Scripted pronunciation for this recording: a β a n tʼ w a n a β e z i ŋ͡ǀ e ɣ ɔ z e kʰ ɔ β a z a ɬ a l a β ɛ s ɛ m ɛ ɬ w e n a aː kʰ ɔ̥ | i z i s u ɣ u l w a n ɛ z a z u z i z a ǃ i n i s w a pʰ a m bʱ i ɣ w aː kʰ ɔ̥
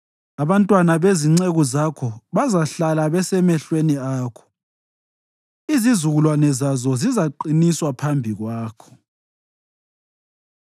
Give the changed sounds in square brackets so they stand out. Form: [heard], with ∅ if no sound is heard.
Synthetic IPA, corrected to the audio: a β a n tʼ w a n a β e z i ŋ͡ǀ e ɣ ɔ z [a] kʰ ɔ β a z a ɬ a l a β ɛ s ɛ m ɛ ɬ w e n [i] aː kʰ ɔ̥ | i z i [z] u ɣ u l w a n ɛ z a z [ɔ] z i z a ǃ i n i s w a pʰ a m bʱ i ɣ w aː kʰ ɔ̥